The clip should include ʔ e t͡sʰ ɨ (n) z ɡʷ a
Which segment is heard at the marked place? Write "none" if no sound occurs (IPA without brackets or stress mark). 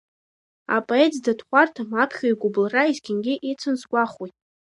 n